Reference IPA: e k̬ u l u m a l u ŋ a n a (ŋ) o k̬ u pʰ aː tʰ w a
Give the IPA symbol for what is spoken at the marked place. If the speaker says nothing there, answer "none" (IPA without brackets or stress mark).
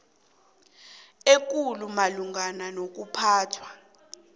n